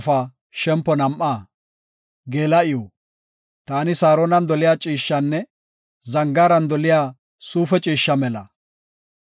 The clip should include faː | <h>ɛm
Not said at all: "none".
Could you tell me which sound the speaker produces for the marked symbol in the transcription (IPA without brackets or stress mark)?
ʃ